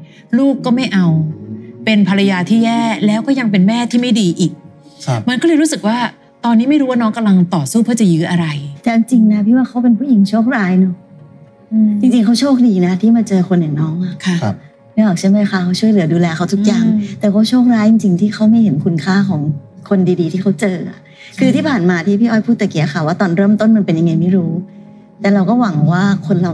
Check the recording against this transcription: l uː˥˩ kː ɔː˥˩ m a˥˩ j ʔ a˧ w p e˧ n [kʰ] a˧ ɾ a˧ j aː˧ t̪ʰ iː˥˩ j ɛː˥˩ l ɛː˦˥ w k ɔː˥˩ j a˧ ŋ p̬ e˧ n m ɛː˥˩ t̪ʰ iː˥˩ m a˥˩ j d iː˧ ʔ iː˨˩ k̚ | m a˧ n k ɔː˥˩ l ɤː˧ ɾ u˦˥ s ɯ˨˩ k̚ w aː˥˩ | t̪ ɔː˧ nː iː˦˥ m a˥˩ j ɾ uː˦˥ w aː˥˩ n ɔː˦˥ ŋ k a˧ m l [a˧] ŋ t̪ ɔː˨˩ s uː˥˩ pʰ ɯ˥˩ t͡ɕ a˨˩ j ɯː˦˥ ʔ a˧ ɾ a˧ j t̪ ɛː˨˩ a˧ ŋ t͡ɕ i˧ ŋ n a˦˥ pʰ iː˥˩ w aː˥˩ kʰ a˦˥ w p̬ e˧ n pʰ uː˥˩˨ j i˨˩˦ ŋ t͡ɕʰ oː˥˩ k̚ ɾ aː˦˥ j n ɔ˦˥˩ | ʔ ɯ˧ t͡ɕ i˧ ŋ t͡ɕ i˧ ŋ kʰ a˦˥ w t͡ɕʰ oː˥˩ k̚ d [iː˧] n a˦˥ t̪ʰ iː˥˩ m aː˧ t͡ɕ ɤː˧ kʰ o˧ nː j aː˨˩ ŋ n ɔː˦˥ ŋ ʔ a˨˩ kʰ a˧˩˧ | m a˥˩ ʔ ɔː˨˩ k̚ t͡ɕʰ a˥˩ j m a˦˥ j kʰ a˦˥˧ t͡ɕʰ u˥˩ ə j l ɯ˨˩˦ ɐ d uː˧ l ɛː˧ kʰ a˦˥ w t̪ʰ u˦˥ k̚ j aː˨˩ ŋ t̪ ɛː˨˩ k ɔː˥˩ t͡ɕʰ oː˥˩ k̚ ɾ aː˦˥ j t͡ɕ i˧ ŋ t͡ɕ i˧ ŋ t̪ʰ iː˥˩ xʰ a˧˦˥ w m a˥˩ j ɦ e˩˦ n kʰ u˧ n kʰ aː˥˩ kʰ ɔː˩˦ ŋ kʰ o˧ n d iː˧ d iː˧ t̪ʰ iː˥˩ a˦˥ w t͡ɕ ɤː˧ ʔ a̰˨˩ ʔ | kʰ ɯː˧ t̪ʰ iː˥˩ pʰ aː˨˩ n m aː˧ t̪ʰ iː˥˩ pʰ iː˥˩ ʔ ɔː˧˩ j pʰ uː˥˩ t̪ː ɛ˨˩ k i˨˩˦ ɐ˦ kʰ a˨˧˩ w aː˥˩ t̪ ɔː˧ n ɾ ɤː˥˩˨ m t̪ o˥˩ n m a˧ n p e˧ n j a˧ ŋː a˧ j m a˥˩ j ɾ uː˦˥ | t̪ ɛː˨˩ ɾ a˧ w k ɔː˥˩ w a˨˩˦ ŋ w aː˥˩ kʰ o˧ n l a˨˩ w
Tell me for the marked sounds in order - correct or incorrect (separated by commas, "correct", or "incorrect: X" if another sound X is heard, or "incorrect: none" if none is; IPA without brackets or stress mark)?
incorrect: pʰ, correct, correct